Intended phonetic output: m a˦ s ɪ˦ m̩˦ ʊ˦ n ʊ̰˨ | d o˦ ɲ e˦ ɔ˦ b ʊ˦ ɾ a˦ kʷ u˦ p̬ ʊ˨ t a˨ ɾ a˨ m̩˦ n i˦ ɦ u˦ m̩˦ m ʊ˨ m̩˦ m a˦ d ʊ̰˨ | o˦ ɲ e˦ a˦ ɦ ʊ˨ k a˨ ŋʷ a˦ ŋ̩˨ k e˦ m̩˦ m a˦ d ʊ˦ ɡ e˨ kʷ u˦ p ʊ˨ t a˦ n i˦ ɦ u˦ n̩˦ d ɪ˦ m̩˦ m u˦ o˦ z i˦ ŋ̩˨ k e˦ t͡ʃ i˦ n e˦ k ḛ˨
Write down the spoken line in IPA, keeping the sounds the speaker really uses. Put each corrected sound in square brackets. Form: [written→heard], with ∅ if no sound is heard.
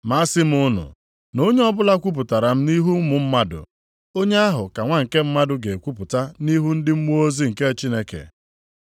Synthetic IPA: m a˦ s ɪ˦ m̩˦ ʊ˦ n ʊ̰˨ | [d→n] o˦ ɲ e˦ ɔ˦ b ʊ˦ [ɾ→l] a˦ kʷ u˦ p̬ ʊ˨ t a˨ ɾ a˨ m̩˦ n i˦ ɦ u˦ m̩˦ m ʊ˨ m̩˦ m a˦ d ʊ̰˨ | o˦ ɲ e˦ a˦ ɦ ʊ˨ k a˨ ŋʷ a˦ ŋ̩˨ k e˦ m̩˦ m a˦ d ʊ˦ ɡ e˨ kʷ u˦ p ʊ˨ t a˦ n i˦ ɦ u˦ n̩˦ d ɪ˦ m̩˦ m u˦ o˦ z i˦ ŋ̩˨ k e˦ t͡ʃ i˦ n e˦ k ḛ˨